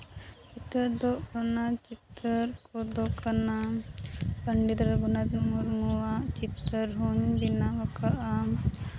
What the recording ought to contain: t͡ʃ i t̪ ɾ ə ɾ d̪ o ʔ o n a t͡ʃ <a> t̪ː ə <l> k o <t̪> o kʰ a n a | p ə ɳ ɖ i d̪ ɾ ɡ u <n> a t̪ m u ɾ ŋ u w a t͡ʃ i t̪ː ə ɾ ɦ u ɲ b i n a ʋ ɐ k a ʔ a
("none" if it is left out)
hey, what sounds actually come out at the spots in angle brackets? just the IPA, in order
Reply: i, ɾ, d̪, n

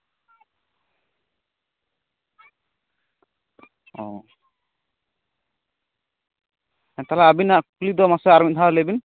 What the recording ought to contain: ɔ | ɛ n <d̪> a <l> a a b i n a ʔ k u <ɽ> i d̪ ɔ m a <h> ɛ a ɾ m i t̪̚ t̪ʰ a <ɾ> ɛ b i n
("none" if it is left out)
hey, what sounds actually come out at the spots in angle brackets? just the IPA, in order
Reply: t̪, l, l, s, l

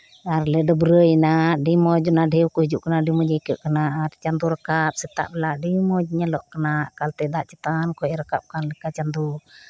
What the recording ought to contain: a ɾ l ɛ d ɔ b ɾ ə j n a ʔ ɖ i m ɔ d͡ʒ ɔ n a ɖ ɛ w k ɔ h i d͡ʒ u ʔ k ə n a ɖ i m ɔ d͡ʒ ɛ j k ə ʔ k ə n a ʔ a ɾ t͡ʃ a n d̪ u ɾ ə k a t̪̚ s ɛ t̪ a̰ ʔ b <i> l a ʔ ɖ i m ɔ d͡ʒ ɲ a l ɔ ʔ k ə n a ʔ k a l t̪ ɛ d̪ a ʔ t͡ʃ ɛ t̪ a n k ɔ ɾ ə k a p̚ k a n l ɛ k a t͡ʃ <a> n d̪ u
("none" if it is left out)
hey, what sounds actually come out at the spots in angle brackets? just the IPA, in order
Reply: ɛ, a

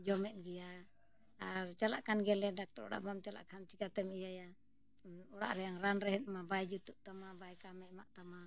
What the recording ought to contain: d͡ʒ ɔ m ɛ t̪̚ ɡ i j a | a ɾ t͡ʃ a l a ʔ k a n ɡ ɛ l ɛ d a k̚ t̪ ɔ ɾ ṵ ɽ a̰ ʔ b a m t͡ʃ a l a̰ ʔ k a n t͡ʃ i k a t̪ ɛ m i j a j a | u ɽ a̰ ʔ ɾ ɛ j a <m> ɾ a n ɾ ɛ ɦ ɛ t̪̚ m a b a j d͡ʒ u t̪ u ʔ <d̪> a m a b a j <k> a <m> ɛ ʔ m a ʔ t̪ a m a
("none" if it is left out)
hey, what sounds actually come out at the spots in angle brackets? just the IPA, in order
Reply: ŋ, t̪, k, m

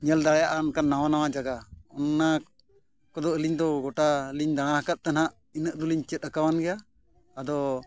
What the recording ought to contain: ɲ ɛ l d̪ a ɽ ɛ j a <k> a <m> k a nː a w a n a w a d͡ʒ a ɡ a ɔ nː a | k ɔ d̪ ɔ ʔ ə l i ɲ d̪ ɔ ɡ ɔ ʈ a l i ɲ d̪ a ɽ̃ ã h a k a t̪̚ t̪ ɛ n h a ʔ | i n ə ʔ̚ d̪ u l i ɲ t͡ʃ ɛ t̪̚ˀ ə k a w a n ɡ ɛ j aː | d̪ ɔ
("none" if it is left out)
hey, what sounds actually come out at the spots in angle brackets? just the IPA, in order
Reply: ʔ, n

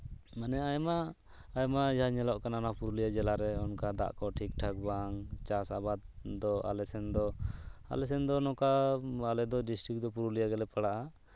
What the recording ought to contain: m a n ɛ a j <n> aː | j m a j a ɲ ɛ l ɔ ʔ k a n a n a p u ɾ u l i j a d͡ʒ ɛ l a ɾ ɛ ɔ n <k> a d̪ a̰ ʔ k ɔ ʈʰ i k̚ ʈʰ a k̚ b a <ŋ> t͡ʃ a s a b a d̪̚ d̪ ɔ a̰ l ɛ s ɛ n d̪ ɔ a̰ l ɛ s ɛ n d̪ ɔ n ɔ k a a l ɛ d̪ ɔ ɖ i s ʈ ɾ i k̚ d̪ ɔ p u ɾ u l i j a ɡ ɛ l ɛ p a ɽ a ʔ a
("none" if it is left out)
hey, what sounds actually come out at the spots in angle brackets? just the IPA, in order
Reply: m, k, ŋ

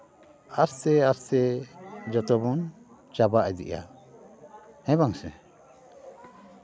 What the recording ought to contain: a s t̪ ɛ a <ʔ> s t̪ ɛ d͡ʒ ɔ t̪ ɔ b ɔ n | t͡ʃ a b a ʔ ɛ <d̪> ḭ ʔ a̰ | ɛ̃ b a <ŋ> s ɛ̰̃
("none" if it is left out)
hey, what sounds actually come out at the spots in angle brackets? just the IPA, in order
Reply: none, d̪, ŋ

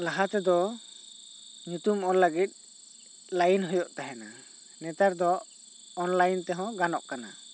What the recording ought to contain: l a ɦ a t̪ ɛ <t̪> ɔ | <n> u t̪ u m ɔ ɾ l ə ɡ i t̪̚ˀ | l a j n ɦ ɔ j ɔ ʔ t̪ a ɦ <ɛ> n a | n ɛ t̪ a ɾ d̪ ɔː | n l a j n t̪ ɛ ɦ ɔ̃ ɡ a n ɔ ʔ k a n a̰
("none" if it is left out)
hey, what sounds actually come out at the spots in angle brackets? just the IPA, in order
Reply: d̪, ɲ, ɛ

